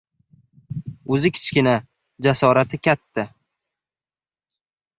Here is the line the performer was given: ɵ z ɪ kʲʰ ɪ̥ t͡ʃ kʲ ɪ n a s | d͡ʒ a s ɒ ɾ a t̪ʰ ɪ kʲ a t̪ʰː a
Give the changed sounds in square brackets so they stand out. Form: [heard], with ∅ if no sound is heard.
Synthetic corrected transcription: ɵ z ɪ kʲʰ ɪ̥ t͡ʃ kʲ ɪ n a [∅] | d͡ʒ a s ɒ ɾ a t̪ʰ ɪ kʲ a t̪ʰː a